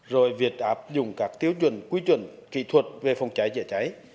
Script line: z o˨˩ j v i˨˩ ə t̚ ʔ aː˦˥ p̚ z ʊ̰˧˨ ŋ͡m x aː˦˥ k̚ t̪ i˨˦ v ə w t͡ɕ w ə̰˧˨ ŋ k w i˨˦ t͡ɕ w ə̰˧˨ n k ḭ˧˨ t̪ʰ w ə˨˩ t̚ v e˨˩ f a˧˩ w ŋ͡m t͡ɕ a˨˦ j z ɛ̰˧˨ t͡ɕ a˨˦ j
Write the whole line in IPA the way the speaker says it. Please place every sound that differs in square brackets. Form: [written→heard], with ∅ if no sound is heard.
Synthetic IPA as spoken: z o˨˩ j v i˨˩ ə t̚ ʔ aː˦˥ p̚ z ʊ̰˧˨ ŋ͡m [x→k] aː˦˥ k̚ t̪ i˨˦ [v→∅] ə w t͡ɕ w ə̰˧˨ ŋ k w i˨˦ t͡ɕ w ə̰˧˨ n k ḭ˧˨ t̪ʰ w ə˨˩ t̚ v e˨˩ f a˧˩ w ŋ͡m t͡ɕ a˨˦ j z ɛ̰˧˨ t͡ɕ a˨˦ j